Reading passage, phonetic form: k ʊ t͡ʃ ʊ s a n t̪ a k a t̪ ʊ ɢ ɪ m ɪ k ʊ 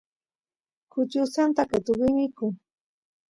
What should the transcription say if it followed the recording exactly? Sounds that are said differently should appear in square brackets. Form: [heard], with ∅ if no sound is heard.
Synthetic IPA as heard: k ʊ t͡ʃ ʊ s a n t̪ a k a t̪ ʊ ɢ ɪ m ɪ k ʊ